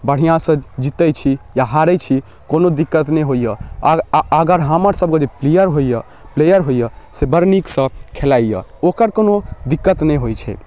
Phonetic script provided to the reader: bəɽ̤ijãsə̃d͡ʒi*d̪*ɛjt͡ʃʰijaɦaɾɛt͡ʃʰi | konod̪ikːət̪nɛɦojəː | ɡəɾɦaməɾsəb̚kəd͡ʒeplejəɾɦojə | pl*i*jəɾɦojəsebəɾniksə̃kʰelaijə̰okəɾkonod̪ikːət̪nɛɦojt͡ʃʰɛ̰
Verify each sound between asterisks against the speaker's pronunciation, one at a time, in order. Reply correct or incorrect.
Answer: incorrect: t̪, incorrect: e

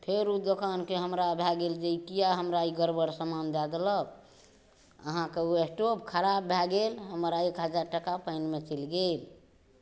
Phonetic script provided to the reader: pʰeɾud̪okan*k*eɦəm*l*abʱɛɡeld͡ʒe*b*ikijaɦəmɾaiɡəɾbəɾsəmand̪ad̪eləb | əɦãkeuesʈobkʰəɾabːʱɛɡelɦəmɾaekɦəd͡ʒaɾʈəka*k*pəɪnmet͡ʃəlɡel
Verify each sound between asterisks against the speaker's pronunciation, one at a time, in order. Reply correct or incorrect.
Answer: correct, incorrect: ɾ, incorrect: none, incorrect: none

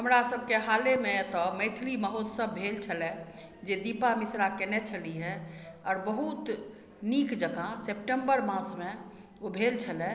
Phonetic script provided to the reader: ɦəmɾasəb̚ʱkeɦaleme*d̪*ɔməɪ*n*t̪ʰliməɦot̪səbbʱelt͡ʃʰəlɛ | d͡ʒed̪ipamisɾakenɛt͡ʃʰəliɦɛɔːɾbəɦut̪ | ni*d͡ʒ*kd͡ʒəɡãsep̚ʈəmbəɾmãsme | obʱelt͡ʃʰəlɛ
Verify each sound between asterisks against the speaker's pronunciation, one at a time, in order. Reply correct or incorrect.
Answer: incorrect: t̪, incorrect: none, incorrect: none

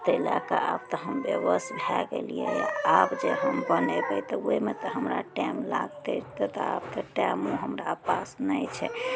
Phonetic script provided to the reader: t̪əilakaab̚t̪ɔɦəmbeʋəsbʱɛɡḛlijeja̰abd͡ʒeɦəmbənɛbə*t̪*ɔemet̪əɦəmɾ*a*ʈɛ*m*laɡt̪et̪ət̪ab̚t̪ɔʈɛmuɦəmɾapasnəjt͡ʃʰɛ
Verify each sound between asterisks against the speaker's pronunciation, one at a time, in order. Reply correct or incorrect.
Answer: correct, correct, correct

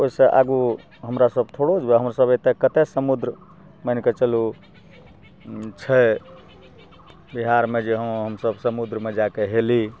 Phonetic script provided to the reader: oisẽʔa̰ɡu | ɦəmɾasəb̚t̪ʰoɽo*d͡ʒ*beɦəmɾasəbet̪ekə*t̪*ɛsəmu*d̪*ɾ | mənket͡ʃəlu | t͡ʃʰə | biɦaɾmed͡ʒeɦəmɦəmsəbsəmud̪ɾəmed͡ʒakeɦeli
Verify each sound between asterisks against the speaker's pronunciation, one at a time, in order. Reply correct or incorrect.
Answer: correct, correct, correct

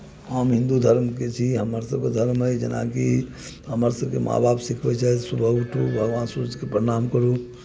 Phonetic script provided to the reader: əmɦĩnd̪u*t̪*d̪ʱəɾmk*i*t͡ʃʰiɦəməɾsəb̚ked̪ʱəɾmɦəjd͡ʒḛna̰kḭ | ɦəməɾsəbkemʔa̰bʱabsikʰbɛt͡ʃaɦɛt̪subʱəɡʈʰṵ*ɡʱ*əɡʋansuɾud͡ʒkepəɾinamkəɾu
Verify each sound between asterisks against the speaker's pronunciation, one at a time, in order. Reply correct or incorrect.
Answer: incorrect: none, incorrect: e, incorrect: bʱ

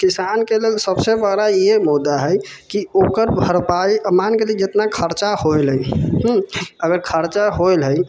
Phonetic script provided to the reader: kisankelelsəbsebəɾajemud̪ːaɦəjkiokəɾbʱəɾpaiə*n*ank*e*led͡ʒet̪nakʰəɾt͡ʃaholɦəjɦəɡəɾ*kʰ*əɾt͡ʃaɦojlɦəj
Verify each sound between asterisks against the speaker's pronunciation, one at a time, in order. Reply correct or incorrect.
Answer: incorrect: m, correct, correct

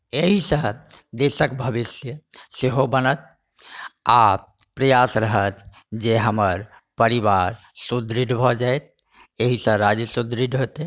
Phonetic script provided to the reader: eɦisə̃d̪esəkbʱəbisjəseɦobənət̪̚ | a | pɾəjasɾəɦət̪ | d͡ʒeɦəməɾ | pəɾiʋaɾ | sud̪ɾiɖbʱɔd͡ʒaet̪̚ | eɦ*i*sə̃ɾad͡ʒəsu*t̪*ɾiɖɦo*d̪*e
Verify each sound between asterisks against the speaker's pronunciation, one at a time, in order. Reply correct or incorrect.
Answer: correct, incorrect: d̪, incorrect: t̪

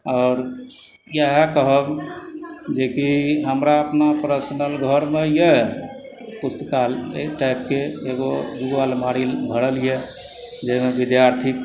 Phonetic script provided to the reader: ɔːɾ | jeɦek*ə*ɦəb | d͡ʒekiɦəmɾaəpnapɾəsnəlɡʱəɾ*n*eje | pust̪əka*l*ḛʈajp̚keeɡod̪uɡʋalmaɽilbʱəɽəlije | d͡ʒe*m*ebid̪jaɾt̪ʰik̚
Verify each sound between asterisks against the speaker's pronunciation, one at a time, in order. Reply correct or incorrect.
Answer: correct, incorrect: m, correct, correct

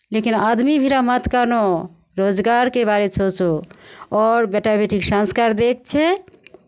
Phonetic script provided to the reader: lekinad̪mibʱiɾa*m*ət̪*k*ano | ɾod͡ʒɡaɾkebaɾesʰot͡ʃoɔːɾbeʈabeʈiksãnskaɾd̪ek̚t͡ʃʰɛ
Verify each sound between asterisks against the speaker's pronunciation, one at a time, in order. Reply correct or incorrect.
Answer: correct, correct

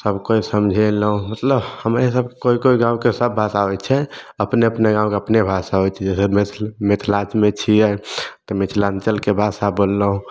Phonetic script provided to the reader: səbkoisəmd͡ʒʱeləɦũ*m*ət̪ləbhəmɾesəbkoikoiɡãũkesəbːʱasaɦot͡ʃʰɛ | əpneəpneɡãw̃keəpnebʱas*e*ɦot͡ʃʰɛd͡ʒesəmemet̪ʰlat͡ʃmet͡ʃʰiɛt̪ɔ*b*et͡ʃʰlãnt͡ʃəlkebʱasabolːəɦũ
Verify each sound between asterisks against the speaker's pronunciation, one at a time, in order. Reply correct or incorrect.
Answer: correct, incorrect: a, incorrect: m

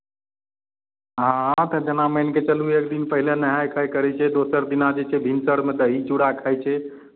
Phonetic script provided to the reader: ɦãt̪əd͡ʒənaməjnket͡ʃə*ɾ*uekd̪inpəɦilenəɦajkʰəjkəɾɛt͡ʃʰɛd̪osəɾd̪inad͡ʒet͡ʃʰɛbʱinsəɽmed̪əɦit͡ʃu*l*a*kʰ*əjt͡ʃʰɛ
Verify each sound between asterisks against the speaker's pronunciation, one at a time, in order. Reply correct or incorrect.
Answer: incorrect: l, incorrect: ɽ, correct

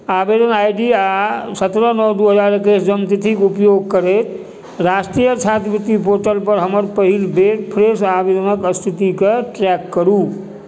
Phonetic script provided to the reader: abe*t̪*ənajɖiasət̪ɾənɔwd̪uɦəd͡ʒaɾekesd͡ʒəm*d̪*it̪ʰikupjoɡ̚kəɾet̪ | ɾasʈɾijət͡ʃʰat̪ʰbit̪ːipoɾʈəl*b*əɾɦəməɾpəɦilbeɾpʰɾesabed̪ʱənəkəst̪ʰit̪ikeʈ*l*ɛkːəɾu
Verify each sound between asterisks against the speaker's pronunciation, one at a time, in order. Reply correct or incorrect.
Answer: incorrect: d̪, incorrect: t̪, incorrect: p, incorrect: ɾ

